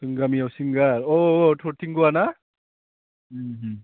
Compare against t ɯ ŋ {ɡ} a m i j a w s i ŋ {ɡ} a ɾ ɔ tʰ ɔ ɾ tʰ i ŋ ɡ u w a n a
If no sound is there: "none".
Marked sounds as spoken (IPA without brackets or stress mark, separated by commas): ɡ, ɡ